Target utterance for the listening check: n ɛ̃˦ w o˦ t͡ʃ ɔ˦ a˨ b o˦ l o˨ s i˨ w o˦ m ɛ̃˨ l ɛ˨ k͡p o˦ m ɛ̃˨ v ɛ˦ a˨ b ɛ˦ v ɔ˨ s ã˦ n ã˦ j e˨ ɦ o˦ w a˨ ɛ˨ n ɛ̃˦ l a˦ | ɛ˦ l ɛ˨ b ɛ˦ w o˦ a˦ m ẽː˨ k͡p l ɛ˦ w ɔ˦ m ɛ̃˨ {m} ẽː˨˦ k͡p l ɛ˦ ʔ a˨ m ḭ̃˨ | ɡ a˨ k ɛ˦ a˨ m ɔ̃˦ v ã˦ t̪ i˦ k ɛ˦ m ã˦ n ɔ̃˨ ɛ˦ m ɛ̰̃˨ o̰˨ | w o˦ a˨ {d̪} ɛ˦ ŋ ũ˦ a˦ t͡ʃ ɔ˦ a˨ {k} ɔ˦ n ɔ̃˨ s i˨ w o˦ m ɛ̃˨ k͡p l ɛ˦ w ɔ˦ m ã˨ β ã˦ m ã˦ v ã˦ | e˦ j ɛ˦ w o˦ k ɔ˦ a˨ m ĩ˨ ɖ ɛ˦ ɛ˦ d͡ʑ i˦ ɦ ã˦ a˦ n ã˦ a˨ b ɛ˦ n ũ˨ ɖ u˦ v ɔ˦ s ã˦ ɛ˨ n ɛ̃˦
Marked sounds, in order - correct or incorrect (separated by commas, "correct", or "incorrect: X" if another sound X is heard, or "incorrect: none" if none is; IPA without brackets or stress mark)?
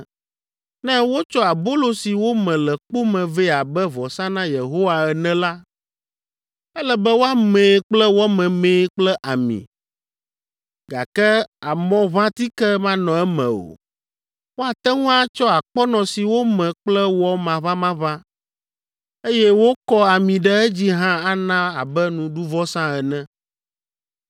correct, incorrect: t̪, incorrect: k͡p